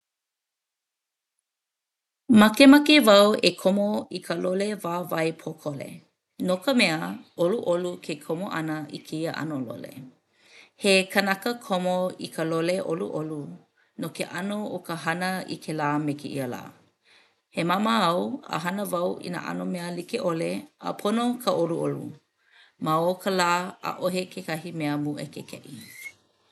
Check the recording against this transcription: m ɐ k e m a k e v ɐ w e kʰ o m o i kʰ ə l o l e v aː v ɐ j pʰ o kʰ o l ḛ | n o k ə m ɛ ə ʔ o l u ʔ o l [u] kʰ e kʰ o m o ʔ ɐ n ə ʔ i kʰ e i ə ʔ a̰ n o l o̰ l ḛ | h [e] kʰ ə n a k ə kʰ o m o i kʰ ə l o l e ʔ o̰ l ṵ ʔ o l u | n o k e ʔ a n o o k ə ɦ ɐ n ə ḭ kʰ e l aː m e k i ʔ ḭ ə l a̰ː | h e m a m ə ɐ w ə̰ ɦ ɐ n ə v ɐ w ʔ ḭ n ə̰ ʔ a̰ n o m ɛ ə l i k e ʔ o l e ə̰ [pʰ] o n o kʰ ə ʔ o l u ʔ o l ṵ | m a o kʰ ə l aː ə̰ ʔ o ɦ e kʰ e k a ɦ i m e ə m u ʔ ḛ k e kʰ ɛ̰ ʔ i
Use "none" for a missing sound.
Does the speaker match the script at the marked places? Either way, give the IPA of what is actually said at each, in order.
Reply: u, e, pʰ

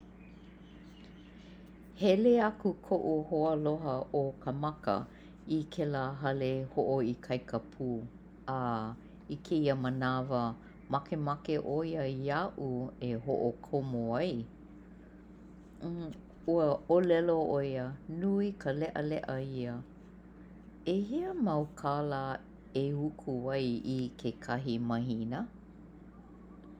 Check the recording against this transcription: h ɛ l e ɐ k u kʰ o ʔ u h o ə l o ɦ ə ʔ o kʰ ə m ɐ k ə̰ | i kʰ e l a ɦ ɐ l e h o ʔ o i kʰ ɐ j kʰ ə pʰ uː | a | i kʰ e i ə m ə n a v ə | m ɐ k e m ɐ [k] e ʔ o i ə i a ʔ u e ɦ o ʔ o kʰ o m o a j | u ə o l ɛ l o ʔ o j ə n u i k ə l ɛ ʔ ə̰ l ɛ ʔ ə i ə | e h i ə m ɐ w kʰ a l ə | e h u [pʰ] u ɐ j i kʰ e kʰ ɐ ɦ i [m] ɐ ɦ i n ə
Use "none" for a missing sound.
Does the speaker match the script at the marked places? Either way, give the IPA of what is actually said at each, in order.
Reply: k, kʰ, m

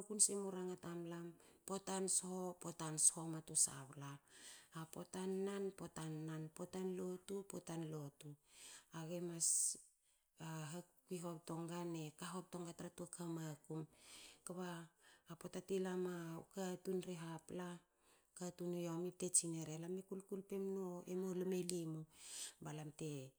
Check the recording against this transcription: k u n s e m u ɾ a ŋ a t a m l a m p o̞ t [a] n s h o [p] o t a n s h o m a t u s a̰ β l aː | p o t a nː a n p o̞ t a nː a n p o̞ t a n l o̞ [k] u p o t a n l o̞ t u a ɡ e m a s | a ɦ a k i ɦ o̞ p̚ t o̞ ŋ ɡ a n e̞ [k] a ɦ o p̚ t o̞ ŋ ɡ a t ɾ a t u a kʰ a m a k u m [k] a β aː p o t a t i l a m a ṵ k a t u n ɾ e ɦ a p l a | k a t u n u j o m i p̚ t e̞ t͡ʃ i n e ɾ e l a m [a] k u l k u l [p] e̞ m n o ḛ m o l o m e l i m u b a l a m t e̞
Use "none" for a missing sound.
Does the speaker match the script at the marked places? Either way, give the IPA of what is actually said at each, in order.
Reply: a, p, t, k, k, e, p

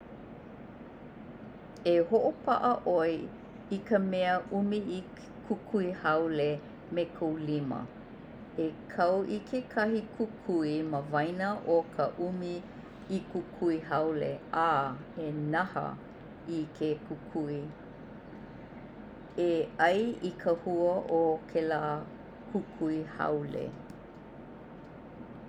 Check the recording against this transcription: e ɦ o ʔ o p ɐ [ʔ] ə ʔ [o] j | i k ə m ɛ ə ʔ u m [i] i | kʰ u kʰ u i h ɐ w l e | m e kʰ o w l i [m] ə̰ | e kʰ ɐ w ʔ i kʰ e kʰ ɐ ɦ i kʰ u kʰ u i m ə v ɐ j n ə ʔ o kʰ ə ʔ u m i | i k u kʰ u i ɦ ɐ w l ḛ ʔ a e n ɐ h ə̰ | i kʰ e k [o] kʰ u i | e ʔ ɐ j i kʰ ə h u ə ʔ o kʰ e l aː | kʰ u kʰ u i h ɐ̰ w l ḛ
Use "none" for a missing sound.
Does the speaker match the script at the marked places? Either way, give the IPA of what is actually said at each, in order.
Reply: ʔ, o, i, m, u

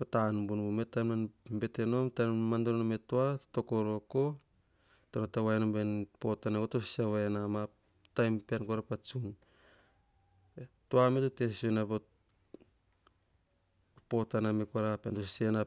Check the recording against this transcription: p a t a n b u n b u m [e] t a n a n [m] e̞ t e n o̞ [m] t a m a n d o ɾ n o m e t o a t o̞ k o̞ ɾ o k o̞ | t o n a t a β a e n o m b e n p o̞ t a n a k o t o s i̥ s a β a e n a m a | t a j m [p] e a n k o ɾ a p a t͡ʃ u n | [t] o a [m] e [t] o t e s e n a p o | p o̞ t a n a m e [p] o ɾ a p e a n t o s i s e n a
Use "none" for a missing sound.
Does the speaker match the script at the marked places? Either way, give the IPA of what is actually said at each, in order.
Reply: e, b, m, p, t, m, t, k

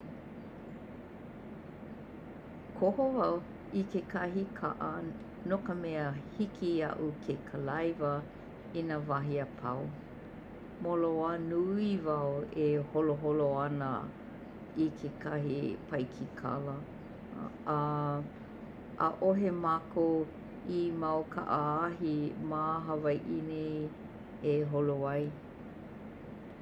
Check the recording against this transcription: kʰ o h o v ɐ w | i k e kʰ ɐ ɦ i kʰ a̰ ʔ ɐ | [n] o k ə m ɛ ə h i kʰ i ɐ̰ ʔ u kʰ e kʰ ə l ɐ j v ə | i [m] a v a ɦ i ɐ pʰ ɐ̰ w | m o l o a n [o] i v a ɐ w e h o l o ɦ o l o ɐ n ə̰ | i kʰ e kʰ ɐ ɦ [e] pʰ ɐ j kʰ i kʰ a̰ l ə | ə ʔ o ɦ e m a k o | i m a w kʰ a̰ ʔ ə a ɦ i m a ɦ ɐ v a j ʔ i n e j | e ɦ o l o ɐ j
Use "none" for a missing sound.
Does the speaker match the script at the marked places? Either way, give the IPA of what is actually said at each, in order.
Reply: n, n, u, i

